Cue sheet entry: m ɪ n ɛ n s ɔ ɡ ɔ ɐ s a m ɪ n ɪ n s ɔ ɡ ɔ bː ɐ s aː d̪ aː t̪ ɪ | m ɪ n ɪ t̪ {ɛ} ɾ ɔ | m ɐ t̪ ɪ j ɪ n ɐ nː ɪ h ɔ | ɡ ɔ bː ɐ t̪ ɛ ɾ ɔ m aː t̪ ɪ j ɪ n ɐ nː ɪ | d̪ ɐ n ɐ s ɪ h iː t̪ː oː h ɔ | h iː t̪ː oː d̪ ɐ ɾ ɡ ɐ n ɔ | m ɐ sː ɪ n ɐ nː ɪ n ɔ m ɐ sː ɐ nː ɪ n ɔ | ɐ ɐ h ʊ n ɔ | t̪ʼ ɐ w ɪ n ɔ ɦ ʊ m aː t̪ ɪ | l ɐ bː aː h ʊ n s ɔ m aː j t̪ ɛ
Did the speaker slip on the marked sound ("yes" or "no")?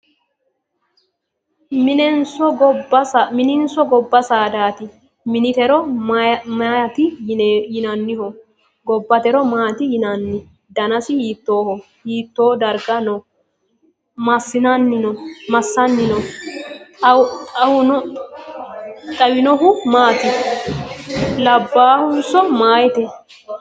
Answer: no